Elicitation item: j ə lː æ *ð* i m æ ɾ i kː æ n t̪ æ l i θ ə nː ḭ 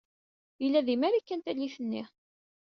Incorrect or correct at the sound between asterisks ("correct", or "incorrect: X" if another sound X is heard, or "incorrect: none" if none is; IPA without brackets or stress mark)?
correct